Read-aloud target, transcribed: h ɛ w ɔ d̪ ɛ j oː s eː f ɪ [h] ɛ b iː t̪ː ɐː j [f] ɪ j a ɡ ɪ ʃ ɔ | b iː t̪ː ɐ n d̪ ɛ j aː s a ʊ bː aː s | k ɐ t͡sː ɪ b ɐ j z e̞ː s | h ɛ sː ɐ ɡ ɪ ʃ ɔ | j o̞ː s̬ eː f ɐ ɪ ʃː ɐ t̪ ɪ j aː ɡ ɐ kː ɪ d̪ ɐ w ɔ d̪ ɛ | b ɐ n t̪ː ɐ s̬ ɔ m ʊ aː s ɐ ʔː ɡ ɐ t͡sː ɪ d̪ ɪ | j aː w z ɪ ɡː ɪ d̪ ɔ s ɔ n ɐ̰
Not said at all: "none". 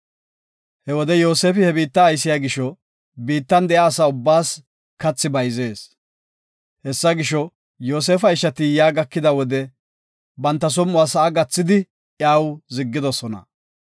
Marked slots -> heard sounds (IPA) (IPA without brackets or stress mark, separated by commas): h, s